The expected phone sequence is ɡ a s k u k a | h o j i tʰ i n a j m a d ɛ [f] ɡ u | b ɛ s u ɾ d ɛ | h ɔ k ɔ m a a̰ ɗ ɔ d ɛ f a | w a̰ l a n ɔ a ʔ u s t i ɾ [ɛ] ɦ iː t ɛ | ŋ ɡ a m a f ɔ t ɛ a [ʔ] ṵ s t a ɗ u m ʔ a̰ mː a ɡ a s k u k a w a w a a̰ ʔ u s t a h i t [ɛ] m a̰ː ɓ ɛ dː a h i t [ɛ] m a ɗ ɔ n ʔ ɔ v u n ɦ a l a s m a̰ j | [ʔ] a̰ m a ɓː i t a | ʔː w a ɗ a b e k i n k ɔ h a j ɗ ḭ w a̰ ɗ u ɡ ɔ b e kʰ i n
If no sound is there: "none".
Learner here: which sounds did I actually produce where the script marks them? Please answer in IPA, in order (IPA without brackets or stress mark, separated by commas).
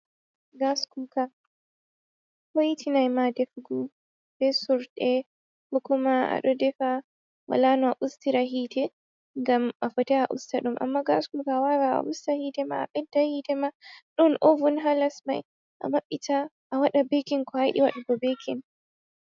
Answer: f, a, ʔ, ɛ, ɛ, ʔ